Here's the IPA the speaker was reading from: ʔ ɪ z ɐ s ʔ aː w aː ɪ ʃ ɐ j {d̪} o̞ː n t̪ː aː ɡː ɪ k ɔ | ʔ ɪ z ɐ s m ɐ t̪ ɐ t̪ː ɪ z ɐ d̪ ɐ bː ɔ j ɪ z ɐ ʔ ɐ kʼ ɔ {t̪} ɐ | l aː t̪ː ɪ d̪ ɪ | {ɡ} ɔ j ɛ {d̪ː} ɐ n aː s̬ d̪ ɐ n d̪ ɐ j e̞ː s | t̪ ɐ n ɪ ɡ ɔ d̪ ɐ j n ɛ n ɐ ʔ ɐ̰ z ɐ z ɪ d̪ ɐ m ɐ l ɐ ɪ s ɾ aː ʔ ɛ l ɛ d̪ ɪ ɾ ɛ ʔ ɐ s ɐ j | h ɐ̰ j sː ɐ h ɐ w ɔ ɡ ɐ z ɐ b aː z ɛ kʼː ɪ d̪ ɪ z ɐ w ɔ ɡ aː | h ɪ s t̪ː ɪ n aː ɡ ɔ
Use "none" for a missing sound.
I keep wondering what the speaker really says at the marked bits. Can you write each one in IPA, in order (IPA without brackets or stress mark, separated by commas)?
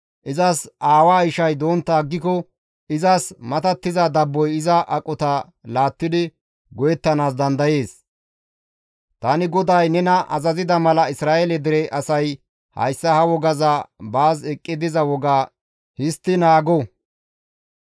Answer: d̪, t̪, ɡ, t̪ː